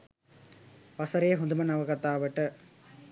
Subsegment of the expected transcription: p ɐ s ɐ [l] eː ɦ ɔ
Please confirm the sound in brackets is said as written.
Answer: no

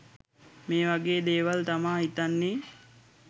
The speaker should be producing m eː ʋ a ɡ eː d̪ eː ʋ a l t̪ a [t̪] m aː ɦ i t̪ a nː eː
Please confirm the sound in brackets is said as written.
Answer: no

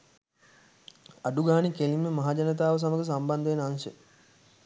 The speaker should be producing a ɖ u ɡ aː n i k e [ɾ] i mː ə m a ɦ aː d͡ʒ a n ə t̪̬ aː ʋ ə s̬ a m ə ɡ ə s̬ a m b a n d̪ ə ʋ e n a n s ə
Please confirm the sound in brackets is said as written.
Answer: no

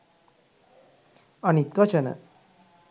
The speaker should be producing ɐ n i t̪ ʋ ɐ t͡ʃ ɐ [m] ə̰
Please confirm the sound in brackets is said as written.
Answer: no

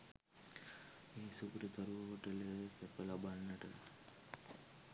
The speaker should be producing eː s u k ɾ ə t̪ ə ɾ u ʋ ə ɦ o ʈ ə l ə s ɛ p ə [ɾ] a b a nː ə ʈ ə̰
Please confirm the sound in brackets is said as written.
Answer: no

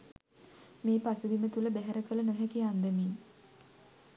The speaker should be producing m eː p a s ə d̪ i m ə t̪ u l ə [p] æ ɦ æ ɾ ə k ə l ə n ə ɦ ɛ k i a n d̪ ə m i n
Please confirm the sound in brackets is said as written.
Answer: no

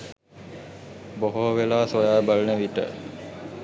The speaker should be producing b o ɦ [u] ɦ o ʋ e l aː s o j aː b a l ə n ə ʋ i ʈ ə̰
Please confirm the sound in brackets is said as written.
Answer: no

